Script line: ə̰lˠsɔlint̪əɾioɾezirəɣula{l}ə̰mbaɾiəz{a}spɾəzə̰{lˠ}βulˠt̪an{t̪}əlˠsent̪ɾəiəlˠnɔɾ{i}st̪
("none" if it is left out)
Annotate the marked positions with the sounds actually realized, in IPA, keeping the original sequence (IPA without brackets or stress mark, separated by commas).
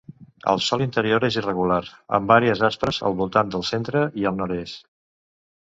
ɾ, a, lˠ, d̪, e